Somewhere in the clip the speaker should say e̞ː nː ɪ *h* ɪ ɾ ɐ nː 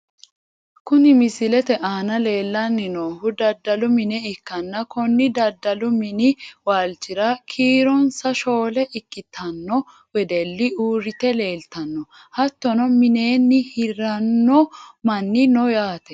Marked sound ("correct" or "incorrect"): correct